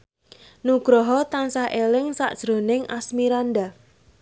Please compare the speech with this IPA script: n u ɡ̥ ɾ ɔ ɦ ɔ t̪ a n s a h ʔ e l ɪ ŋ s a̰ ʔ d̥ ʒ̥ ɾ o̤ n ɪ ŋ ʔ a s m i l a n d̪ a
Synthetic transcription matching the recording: n u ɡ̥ ɾ ɔ ɦ ɔ t̪ a n s a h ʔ e l ɪ ŋ s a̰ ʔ d̥ ʒ̥ ɾ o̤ n ɪ ŋ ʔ a s m i ɾ a n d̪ a